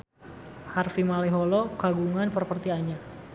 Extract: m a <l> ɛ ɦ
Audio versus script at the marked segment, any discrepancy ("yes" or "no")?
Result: no